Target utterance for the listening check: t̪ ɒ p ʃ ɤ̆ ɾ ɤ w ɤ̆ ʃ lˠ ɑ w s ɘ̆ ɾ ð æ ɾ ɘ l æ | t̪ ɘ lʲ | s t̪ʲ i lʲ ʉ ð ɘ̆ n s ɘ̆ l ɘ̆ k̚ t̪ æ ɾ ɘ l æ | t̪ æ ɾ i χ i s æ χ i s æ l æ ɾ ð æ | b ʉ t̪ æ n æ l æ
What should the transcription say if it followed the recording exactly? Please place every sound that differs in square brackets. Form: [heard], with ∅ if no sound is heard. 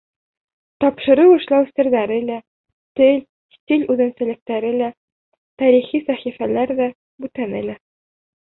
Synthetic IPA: t̪ ɒ p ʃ ɤ̆ ɾ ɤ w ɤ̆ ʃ lˠ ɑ w s ɘ̆ ɾ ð æ ɾ ɘ l æ | t̪ ɘ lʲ | s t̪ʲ i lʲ ʉ ð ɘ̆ n s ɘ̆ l ɘ̆ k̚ t̪ æ ɾ ɘ l æ | t̪ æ ɾ i χ i s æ χ i [f] æ l æ ɾ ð æ | b ʉ t̪ æ n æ l æ